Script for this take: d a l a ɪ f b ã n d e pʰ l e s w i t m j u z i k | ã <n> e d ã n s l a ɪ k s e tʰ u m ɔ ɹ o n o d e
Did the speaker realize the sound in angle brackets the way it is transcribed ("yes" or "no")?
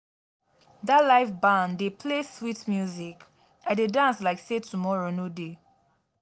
no